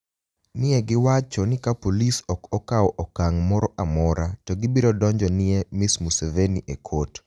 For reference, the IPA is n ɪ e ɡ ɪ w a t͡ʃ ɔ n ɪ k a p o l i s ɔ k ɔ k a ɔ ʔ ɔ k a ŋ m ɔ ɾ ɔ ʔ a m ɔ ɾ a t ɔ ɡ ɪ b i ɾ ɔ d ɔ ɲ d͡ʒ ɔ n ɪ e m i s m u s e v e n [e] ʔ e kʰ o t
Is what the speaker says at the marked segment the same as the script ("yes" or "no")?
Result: no